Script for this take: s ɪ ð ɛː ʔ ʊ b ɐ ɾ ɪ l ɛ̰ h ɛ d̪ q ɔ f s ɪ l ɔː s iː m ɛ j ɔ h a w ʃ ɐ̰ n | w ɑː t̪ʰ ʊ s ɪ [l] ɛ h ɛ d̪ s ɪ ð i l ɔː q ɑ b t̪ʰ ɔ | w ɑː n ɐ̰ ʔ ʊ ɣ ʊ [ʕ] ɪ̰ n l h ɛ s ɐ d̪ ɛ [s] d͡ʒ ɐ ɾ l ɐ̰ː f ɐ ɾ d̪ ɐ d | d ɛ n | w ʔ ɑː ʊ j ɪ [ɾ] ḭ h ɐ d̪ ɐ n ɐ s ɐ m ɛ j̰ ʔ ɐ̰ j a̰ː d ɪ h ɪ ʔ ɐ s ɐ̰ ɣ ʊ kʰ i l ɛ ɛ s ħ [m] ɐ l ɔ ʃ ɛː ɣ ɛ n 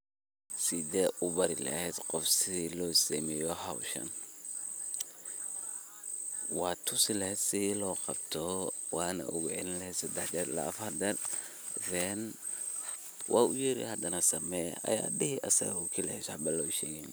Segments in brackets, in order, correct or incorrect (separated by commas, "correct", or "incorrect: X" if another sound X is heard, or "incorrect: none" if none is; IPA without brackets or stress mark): correct, correct, incorrect: ħ, correct, incorrect: b